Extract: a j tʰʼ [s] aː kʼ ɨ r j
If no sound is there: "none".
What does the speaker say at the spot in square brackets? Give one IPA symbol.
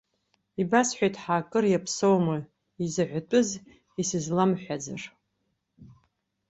ħ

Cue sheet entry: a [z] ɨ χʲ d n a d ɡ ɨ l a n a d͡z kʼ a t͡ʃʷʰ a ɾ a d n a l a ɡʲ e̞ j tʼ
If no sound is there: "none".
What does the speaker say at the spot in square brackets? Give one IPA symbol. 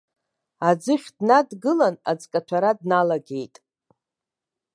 d͡z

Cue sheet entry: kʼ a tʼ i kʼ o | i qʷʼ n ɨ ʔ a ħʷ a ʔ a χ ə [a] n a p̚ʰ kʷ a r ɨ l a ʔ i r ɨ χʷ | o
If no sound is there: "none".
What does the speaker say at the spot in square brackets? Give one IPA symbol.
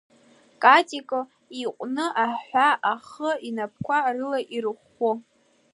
i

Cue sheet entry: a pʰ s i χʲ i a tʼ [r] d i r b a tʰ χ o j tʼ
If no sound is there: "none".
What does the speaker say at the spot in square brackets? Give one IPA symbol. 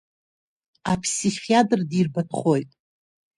r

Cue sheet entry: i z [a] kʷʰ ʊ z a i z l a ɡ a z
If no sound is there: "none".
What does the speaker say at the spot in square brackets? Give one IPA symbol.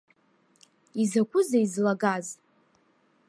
a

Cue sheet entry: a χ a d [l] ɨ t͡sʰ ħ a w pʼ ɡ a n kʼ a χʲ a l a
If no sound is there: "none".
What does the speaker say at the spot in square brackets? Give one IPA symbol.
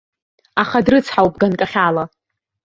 r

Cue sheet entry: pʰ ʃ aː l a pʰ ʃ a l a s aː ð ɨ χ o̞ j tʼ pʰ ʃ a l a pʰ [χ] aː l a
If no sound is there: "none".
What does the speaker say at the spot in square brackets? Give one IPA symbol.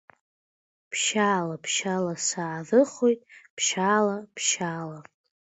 ʃ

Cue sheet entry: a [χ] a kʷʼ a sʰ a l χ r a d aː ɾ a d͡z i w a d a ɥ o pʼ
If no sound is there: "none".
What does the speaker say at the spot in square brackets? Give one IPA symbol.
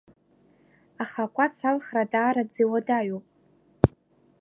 χ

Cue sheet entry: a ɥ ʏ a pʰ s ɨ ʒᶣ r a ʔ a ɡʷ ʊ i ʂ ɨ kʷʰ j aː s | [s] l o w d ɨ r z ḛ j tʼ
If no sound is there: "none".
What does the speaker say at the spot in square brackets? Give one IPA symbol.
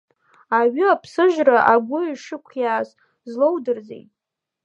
z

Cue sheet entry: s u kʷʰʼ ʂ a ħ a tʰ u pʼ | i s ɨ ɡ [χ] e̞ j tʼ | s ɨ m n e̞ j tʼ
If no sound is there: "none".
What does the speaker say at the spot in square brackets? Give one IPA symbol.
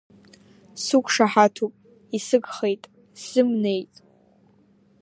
χ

